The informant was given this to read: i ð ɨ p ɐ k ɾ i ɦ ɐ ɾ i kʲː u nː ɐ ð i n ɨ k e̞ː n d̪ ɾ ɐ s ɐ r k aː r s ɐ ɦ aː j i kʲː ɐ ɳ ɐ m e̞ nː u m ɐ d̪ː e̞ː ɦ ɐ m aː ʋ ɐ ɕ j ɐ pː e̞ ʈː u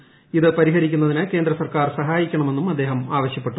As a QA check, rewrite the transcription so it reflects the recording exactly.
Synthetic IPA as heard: i ð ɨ p ɐ ɾ i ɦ ɐ ɾ i kʲː u nː ɐ ð i n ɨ k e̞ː n d̪ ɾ ɐ s ɐ r k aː r s ɐ ɦ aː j i kʲː ɐ ɳ ɐ m e̞ nː u m ɐ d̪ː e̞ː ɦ ɐ m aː ʋ ɐ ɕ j ɐ pː e̞ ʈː u